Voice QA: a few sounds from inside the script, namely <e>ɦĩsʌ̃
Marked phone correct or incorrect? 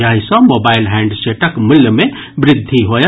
incorrect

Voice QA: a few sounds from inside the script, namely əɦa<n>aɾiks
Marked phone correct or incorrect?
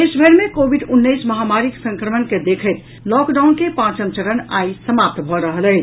incorrect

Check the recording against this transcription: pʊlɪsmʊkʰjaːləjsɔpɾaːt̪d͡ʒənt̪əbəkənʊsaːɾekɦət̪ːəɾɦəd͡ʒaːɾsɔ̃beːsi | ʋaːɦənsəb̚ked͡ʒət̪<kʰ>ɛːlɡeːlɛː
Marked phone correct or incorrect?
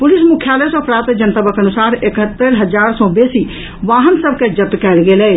incorrect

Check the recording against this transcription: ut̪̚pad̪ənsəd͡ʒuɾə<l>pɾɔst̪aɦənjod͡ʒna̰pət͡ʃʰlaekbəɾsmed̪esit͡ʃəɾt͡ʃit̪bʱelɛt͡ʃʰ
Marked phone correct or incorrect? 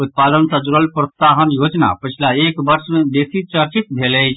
correct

